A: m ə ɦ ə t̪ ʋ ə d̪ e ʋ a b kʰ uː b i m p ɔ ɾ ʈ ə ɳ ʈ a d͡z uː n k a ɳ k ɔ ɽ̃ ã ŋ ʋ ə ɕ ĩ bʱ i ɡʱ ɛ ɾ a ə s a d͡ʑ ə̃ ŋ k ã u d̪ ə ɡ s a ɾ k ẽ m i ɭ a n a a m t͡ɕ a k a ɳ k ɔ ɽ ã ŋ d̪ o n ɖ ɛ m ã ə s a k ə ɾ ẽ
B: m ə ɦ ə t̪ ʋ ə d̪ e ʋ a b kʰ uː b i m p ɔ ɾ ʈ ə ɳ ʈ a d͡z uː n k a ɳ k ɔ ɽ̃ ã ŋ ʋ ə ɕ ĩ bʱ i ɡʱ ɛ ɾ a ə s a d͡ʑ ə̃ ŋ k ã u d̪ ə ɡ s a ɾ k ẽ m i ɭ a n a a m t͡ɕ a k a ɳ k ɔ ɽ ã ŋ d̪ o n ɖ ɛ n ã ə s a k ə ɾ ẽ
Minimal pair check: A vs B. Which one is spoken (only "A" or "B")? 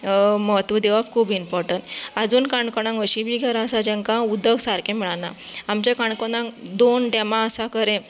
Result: A